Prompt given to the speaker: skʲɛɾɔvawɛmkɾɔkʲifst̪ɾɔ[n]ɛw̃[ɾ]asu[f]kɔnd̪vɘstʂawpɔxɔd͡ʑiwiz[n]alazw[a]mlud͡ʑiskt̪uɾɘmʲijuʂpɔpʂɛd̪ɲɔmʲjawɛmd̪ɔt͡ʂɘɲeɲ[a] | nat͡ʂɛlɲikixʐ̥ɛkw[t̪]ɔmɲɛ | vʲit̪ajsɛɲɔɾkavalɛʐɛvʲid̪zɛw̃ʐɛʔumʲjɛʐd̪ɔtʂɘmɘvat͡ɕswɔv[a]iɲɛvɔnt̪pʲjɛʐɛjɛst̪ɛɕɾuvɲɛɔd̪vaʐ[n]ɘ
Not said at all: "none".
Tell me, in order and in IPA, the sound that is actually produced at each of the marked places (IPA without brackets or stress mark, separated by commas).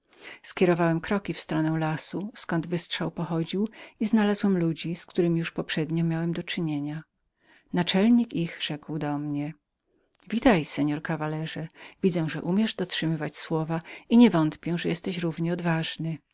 n, l, s, n, ɛ, a, d̪, a, n